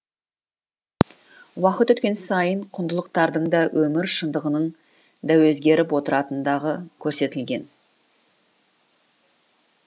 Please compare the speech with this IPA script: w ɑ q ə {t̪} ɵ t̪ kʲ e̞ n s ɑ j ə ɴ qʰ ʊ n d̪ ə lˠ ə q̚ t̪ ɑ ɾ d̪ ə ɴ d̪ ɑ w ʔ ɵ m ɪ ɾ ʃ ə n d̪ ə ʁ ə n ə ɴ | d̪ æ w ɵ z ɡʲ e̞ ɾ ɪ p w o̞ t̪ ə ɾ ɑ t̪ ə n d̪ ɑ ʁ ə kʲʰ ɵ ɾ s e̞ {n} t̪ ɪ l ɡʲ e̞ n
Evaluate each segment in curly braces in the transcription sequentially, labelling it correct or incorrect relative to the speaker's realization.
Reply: correct, incorrect: none

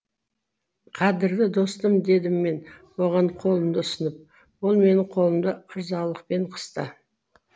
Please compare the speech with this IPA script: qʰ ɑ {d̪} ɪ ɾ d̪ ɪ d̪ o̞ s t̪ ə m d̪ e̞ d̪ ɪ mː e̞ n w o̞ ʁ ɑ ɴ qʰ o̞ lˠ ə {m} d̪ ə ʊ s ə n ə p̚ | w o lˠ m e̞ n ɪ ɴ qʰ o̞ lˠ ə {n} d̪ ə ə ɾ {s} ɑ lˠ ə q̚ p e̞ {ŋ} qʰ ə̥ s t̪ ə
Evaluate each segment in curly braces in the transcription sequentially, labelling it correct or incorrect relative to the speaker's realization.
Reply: correct, correct, incorrect: m, incorrect: z, incorrect: ɴ

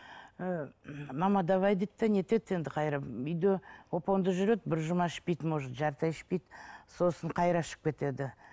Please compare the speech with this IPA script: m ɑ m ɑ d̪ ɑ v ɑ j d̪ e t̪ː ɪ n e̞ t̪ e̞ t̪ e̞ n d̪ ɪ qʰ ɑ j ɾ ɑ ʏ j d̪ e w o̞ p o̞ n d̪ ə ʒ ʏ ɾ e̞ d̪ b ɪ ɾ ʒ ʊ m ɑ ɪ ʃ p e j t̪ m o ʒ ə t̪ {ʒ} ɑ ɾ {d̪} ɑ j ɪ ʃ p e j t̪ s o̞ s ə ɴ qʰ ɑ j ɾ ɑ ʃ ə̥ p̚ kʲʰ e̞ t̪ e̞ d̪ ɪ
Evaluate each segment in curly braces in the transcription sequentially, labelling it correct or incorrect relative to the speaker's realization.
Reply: correct, incorrect: t̪

